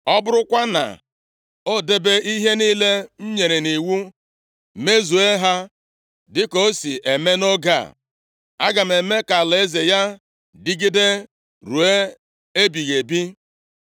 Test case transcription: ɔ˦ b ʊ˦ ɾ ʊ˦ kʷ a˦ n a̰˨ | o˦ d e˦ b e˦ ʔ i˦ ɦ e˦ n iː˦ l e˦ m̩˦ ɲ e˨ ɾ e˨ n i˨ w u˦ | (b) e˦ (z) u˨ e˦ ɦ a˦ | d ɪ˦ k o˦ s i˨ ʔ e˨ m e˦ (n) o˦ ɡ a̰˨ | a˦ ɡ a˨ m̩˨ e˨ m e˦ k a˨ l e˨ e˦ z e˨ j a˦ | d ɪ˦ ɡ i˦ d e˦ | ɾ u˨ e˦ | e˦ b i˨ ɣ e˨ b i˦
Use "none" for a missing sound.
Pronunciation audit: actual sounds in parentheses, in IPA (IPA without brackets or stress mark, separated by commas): m, z, n